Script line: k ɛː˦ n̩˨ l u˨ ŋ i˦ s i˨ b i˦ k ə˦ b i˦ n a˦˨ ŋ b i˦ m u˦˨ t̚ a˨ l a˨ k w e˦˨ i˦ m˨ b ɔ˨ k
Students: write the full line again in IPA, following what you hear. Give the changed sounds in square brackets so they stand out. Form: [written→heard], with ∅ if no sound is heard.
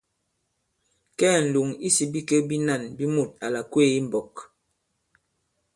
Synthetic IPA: k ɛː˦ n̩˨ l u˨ ŋ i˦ s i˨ b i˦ k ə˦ b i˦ n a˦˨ [ŋ→n] b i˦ m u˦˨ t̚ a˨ l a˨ k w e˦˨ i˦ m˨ b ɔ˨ k